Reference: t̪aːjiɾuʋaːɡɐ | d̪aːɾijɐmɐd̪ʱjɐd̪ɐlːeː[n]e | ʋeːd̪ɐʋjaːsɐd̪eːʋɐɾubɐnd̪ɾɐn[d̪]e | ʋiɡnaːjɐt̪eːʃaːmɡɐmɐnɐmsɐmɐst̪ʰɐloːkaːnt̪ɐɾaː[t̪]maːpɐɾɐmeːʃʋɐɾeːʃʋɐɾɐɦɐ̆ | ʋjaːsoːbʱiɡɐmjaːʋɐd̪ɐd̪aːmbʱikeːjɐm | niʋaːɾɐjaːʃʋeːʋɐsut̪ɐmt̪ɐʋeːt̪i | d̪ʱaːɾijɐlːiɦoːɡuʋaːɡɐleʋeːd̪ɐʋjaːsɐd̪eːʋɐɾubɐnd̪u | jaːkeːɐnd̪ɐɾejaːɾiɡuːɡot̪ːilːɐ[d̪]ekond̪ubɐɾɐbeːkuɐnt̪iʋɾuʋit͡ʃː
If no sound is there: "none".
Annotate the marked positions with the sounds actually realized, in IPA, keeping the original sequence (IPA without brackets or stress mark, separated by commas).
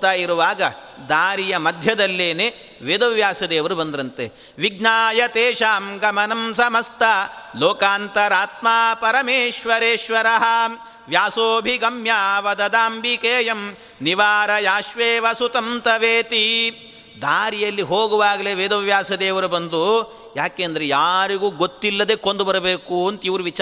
n, t̪, t̪, d̪